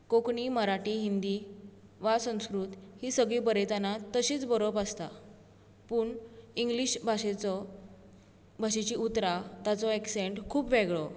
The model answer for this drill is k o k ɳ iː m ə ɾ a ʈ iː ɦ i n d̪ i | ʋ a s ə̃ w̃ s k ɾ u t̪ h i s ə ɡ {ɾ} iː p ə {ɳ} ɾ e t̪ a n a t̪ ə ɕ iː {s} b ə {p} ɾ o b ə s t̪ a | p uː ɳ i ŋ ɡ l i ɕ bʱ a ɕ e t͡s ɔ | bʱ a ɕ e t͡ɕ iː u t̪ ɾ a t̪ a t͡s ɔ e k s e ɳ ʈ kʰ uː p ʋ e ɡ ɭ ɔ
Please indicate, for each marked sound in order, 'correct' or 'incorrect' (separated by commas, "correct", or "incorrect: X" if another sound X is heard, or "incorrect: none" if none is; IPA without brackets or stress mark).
incorrect: ɭ, incorrect: none, incorrect: t͡s, incorrect: none